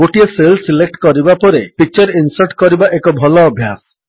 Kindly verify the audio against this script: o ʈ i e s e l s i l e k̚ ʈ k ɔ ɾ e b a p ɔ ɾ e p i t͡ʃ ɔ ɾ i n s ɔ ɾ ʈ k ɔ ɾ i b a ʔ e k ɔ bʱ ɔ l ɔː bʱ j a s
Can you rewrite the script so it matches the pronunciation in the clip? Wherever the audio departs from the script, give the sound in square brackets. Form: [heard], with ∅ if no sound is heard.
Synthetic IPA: o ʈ i e s e l s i l e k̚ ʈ k ɔ ɾ [i] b a p ɔ ɾ e p i t͡ʃ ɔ ɾ i n s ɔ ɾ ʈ k ɔ ɾ i b a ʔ e k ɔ bʱ ɔ l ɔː bʱ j a s

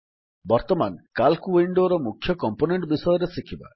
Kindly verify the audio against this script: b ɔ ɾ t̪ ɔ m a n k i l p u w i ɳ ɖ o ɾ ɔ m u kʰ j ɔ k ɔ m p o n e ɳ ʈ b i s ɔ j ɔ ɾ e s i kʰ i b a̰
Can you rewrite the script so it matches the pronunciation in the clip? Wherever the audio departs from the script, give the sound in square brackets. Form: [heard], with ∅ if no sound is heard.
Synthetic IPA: b ɔ ɾ t̪ ɔ m a n k [a] l [k] u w i ɳ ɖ o ɾ ɔ m u kʰ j ɔ k ɔ m p o n e ɳ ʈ b i s ɔ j ɔ ɾ e s i kʰ i b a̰

